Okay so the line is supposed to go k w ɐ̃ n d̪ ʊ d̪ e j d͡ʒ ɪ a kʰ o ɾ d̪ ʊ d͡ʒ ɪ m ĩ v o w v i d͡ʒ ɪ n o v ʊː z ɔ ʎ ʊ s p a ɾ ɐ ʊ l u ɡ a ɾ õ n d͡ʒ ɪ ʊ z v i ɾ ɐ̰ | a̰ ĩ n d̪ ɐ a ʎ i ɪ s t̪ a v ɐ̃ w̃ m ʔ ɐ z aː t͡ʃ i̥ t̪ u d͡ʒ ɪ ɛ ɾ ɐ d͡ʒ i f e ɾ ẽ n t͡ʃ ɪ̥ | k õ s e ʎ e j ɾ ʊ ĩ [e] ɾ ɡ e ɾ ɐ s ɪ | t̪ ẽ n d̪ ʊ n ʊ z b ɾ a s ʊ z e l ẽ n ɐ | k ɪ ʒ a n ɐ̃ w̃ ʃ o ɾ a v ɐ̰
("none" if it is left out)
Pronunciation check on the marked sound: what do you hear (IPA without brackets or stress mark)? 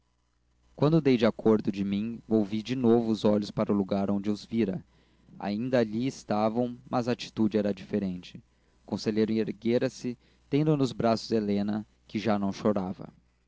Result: e